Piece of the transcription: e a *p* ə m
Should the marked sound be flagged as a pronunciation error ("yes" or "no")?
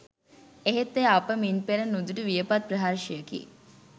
no